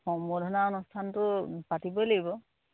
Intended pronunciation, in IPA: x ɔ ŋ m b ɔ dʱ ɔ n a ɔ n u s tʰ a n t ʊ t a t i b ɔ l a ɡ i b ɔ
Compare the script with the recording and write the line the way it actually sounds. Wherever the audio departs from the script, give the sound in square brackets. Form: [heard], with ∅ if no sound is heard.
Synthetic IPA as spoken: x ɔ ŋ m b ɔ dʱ ɔ n a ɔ n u s tʰ a n t ʊ [p] a t i b ɔ l a ɡ i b ɔ

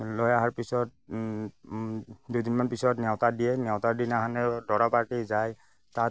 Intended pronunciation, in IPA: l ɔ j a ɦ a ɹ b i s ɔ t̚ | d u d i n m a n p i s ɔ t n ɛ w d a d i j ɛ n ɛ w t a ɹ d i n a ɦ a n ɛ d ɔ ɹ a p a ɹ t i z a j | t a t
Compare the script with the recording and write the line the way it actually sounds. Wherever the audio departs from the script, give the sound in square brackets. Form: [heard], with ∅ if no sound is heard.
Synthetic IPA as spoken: l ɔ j a ɦ a ɹ [p] i s ɔ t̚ | d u d i n m a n p i s ɔ t n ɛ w [t] a d i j ɛ n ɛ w t a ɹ d i n a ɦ a n ɛ d ɔ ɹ a p a ɹ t i z a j | t a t

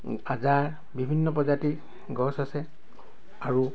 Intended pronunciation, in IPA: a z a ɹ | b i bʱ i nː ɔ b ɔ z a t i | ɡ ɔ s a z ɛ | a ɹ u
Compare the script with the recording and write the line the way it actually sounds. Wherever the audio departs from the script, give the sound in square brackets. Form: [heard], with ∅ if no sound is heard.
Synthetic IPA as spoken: a z a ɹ | b i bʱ i nː ɔ [p] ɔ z a t i | ɡ ɔ s a [s] ɛ | a ɹ u

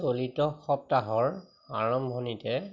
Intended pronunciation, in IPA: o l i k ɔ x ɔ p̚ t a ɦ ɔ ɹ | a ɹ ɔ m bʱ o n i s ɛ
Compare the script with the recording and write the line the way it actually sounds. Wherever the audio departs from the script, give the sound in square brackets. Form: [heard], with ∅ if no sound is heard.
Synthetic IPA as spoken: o l i [t] ɔ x ɔ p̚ t a ɦ ɔ ɹ | a ɹ ɔ m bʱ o n i [t] ɛ

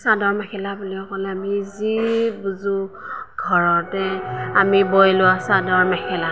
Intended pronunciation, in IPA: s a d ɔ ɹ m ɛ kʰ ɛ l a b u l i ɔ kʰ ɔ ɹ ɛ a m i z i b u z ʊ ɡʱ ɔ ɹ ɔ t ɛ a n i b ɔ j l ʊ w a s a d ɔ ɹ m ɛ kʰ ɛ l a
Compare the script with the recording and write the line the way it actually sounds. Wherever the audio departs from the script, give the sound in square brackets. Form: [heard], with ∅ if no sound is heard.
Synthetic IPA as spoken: s a d ɔ ɹ m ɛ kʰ ɛ l a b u l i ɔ [k] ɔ [l] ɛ a m i z i b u z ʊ ɡʱ ɔ ɹ ɔ t ɛ a [m] i b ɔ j l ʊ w a s a d ɔ ɹ m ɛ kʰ ɛ l a

